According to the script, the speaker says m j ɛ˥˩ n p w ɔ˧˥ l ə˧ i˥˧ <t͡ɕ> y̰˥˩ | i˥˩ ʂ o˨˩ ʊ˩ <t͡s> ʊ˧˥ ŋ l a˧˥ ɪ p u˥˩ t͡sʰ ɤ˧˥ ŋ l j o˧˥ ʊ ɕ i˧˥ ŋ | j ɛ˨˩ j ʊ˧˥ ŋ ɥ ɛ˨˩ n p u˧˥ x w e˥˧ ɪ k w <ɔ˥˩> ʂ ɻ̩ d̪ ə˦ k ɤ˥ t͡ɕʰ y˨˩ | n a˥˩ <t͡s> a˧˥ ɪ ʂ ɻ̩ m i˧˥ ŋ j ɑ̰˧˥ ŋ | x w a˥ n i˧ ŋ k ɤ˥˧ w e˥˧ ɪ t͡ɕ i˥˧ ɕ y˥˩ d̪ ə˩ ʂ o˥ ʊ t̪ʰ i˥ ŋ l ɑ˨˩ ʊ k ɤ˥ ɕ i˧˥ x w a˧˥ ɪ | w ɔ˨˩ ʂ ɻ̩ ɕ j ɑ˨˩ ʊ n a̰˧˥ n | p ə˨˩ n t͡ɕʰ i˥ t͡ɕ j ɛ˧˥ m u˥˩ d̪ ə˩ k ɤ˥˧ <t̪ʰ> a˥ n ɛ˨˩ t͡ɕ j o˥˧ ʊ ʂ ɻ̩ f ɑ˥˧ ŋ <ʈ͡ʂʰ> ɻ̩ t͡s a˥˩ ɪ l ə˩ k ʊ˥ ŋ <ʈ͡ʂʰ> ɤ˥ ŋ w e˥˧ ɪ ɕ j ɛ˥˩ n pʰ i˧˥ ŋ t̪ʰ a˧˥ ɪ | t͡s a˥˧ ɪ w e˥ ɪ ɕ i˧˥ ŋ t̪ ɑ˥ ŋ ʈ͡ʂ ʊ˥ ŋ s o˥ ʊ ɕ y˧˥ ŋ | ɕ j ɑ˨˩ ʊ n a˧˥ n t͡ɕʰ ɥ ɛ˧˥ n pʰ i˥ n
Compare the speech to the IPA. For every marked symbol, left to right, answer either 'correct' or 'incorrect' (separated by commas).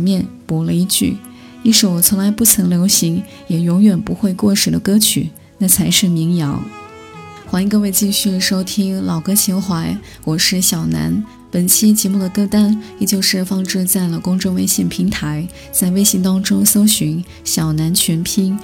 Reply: correct, incorrect, correct, incorrect, incorrect, incorrect, incorrect